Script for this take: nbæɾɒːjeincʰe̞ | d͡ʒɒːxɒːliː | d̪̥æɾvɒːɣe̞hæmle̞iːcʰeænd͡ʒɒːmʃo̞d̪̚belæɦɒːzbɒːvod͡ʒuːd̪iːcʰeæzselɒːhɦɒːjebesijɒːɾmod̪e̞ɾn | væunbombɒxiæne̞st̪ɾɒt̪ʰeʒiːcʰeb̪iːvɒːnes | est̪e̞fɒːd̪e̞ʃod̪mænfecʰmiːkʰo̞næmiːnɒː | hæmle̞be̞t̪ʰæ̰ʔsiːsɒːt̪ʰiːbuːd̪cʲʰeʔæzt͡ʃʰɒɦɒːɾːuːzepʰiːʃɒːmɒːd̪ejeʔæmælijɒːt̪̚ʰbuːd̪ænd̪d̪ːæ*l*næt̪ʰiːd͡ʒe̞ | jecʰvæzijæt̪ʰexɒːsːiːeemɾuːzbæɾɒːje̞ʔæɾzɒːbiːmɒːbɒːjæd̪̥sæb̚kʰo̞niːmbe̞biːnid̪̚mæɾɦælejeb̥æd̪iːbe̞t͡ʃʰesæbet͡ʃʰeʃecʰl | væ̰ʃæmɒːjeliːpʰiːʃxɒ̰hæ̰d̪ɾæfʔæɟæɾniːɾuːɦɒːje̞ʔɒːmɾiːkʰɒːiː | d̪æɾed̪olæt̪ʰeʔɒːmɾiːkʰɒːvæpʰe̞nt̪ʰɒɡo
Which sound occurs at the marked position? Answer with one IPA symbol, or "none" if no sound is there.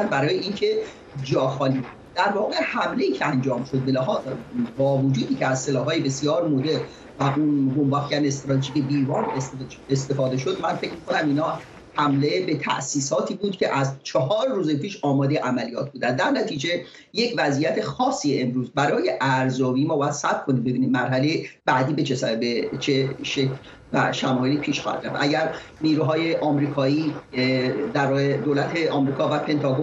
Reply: ɾ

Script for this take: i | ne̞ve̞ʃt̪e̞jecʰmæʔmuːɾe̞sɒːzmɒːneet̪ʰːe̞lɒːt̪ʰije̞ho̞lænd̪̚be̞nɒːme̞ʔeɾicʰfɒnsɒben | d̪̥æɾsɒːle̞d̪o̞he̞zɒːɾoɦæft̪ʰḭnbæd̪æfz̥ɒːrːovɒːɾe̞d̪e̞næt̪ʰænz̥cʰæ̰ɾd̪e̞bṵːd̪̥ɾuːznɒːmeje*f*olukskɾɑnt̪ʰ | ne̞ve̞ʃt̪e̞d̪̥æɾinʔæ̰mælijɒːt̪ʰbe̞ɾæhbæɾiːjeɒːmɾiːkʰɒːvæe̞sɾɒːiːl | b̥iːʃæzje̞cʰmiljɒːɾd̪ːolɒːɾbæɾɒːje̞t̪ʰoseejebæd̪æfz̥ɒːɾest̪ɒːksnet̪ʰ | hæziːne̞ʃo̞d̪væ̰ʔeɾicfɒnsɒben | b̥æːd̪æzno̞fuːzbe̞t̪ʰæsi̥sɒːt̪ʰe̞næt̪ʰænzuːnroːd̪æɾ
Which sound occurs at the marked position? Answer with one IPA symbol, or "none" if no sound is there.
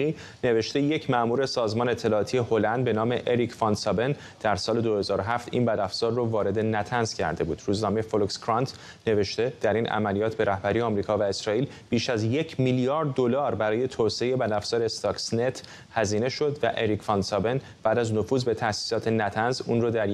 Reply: f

